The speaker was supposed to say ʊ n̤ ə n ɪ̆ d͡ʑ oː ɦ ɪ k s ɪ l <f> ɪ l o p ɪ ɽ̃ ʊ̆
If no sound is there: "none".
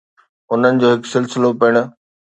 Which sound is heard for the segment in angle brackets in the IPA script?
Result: s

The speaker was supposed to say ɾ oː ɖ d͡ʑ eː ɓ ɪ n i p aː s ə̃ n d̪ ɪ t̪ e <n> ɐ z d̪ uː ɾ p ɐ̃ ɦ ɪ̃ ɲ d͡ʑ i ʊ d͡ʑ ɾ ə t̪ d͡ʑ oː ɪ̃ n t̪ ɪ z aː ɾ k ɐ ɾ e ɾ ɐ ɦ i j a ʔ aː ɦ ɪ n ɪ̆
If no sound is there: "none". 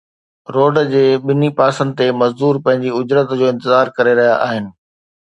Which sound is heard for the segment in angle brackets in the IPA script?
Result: m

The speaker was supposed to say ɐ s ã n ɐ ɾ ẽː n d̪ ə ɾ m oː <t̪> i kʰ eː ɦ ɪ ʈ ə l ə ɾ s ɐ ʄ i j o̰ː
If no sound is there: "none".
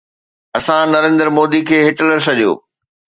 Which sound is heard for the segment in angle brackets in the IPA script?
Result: d̪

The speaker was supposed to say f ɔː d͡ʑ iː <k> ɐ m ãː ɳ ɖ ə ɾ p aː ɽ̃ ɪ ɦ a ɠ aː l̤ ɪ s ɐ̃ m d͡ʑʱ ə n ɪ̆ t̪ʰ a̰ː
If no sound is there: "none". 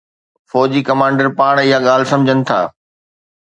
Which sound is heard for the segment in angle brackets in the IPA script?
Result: k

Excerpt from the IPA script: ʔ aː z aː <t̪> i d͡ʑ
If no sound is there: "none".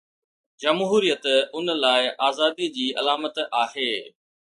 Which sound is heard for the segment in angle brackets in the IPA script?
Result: d̪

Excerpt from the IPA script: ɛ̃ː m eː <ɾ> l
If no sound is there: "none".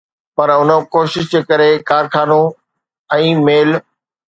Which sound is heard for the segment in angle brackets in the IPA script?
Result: none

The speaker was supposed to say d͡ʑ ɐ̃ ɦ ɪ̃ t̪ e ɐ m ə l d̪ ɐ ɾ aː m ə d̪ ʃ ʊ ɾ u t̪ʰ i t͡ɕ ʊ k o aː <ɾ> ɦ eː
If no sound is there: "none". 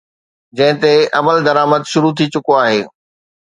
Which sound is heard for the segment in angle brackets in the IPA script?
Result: none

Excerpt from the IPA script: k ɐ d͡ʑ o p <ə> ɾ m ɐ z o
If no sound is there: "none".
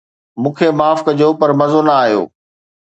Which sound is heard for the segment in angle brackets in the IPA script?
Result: ɐ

